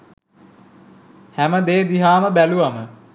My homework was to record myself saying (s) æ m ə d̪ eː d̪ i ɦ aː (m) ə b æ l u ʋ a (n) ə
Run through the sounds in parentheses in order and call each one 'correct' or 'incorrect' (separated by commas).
incorrect, correct, incorrect